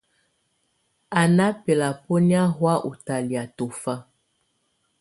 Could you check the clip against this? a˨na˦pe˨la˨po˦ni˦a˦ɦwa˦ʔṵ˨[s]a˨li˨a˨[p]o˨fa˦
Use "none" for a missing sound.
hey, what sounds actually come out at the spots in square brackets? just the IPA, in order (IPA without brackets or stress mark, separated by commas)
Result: t, t